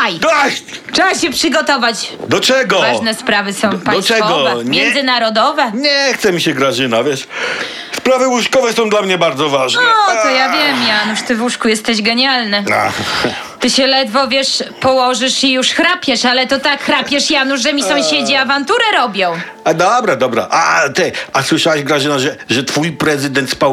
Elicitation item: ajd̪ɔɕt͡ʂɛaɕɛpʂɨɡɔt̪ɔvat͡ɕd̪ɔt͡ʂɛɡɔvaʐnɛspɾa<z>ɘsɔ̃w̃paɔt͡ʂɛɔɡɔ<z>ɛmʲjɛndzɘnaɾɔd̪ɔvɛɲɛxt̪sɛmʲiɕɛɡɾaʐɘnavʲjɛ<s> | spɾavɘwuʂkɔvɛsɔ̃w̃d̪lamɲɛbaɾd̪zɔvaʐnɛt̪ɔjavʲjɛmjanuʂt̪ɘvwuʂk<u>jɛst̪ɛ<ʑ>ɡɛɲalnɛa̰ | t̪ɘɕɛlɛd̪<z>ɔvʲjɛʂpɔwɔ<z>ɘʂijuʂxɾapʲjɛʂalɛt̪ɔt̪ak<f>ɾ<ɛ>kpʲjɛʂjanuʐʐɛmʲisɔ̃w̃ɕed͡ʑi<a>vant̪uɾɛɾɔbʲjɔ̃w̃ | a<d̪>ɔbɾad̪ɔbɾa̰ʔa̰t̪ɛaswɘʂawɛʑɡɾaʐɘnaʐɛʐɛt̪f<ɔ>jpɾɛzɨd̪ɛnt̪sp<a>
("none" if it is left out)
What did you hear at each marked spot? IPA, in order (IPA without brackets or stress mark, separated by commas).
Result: v, v, ʂ, u, ʑ, v, ʐ, x, a, a, d̪, u, a